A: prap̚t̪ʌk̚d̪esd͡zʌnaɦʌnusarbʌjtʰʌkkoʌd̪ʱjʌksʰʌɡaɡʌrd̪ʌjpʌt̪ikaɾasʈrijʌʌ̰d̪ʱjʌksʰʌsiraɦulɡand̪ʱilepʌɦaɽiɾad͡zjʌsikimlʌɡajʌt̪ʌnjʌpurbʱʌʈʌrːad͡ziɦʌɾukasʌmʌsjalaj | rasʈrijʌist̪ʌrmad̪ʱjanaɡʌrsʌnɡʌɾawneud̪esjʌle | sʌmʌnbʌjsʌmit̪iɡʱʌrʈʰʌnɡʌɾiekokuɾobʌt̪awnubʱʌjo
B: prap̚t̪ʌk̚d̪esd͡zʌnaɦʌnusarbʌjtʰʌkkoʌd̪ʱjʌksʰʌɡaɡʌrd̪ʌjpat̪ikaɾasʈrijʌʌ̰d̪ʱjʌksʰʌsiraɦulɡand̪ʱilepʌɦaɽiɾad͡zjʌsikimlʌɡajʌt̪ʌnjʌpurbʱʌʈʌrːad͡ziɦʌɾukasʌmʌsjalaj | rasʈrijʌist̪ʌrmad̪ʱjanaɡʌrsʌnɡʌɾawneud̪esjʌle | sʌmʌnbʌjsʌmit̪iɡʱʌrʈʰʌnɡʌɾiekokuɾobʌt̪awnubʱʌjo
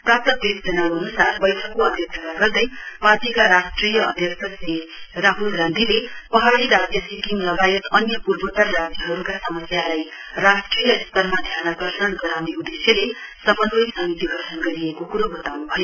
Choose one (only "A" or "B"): B